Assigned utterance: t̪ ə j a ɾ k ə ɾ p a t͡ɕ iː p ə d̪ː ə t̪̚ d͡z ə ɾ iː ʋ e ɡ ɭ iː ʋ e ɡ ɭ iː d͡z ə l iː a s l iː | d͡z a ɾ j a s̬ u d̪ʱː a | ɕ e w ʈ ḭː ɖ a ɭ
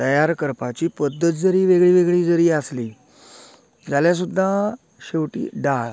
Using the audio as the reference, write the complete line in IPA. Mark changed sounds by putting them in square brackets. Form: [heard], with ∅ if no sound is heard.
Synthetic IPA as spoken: t̪ ə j a ɾ k ə ɾ p a t͡ɕ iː p ə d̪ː ə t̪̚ d͡z ə ɾ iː ʋ e ɡ ɭ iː ʋ e ɡ ɭ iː d͡z ə [ɾ] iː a s l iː | d͡z a [l] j a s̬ u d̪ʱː a | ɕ e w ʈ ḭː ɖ a ɭ